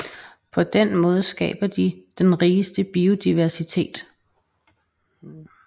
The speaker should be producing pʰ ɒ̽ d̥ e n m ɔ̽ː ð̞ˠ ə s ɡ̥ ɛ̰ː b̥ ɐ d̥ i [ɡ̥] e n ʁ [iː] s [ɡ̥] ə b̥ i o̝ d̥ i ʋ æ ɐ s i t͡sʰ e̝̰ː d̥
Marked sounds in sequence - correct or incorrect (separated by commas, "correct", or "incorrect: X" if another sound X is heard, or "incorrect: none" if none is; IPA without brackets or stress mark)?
incorrect: d̥, correct, incorrect: d̥